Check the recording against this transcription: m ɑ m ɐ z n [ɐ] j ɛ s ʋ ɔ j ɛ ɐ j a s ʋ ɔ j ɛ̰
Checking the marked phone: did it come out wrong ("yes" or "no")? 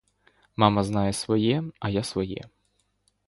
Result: yes